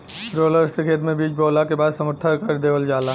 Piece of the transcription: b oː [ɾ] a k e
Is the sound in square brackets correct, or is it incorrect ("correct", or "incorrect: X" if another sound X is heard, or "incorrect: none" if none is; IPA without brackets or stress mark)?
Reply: incorrect: l